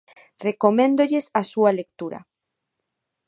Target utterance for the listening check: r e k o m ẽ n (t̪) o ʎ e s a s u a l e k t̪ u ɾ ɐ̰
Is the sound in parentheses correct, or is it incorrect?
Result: incorrect